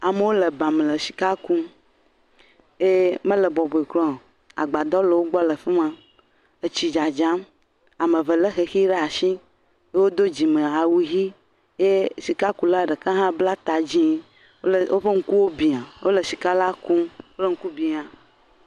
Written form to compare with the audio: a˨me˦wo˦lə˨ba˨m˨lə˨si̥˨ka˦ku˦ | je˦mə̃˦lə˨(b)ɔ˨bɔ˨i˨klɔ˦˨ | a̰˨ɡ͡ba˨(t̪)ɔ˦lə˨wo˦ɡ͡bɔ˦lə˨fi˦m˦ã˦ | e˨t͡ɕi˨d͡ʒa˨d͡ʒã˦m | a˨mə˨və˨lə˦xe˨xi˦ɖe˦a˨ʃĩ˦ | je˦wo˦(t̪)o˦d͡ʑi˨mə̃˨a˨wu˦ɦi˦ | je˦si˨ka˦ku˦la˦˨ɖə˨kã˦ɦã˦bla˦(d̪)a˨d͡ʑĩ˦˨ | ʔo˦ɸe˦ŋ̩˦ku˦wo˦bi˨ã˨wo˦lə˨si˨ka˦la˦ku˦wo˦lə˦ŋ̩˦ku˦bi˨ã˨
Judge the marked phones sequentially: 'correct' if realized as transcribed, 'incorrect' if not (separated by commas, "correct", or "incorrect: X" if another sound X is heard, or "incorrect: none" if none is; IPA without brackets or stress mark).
correct, incorrect: d̪, incorrect: d̪, incorrect: t̪